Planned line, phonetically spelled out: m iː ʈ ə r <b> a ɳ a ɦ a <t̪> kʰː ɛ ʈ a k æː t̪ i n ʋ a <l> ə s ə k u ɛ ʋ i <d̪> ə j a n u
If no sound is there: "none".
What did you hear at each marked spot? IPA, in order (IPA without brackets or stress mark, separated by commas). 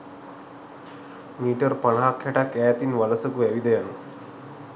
p, none, l, d̪